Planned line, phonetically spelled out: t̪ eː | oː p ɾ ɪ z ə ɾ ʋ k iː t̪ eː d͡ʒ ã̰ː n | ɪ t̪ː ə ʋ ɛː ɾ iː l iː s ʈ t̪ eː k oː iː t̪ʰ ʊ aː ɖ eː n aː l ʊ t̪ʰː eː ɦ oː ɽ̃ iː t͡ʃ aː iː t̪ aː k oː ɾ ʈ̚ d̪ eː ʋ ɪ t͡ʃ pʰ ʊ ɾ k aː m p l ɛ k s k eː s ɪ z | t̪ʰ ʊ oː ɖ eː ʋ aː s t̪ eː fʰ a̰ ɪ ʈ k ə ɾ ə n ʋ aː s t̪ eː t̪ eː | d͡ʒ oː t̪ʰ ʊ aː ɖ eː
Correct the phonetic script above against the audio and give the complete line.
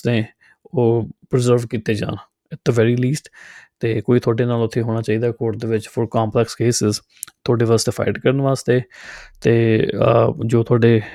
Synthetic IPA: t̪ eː | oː p ɾ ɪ z ə ɾ ʋ k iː t̪ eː d͡ʒ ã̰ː n | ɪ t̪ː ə ʋ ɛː ɾ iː l iː s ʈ t̪ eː k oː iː t̪ʰ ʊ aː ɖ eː n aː l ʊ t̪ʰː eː ɦ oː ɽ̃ aː t͡ʃ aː iː d̪ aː k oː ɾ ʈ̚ d̪ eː ʋ ɪ t͡ʃ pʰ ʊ ɾ k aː m p l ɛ k s k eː s ɪ z | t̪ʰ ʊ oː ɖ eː ʋ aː s t̪ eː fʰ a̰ ɪ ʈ k ə ɾ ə n ʋ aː s t̪ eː t̪ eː | d͡ʒ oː t̪ʰ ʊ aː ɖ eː